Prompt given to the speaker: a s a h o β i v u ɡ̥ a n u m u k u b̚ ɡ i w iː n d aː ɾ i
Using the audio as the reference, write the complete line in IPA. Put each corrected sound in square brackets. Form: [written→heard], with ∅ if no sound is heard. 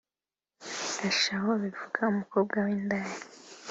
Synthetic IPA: a [s→ʃ] a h o β i v u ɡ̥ a [n→∅] u m u k [u→o] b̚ ɡ [i→a] w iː n d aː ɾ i